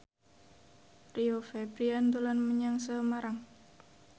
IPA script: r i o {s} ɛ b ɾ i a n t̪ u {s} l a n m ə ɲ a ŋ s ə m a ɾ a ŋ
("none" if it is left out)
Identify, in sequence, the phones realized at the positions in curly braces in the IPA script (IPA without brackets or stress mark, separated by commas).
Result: f, none